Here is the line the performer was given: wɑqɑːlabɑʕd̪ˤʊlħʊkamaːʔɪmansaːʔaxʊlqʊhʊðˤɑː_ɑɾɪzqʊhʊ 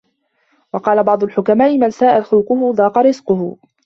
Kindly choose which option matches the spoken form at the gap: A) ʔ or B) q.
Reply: B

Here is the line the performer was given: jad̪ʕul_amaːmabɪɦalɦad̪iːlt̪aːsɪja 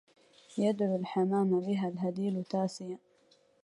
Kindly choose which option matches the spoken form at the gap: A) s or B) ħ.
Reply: B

